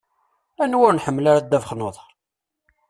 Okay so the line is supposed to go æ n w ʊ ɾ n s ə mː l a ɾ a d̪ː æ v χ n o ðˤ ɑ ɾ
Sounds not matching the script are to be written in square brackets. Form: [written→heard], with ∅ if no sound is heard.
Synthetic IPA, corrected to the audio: æ n w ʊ ɾ n [s→ħ] ə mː l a ɾ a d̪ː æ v χ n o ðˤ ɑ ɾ